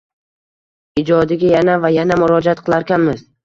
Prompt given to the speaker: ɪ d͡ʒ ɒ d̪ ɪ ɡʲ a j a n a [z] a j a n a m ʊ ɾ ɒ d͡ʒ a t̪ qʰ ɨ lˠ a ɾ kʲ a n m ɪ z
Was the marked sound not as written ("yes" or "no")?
yes